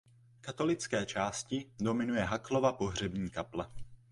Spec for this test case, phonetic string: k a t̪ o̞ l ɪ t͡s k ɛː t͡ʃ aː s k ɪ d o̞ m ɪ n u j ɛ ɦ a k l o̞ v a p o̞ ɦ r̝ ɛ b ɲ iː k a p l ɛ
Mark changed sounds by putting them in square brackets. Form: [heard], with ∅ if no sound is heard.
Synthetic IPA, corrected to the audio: k a t̪ o̞ l ɪ t͡s k ɛː t͡ʃ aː s [c] ɪ d o̞ m ɪ n u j ɛ ɦ a k l o̞ v a p o̞ ɦ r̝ ɛ b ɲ iː k a p l ɛ